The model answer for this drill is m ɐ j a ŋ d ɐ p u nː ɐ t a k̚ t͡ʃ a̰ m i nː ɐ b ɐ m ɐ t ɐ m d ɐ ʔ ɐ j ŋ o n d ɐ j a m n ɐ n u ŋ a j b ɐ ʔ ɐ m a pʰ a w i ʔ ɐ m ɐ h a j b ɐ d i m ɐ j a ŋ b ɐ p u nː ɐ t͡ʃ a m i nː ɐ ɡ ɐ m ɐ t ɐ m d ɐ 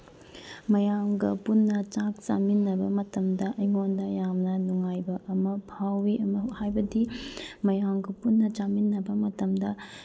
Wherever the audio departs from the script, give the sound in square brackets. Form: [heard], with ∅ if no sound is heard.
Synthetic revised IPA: m ɐ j a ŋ [ɡ] ɐ p u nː ɐ [t͡ʃ] a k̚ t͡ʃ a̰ m i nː ɐ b ɐ m ɐ t ɐ m d ɐ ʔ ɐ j ŋ o n d ɐ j a m n ɐ n u ŋ a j b ɐ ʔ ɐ m [ɐ] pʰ a w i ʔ ɐ m ɐ h a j b ɐ d i m ɐ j a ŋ [ɡ] ɐ p u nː ɐ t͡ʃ a m i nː ɐ [b] ɐ m ɐ t ɐ m d ɐ